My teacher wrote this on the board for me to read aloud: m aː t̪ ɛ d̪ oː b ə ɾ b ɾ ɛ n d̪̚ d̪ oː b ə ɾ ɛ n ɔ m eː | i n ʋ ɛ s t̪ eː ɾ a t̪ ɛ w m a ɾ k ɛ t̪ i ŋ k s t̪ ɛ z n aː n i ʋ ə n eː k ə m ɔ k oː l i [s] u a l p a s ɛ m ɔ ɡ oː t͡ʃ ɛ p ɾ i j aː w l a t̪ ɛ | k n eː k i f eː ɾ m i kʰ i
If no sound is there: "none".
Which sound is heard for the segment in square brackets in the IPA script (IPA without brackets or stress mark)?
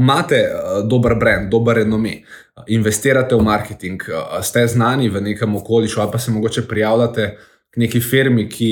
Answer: ʃ